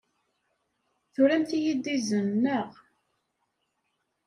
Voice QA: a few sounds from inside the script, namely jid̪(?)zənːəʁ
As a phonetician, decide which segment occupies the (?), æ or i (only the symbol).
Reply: i